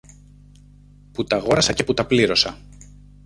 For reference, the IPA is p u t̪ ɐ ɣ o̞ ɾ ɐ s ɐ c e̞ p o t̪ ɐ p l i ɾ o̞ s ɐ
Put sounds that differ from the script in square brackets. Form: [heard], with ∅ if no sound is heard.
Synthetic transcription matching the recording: p u t̪ ɐ ɣ o̞ ɾ ɐ s ɐ c e̞ p [u] t̪ ɐ p l i ɾ o̞ s ɐ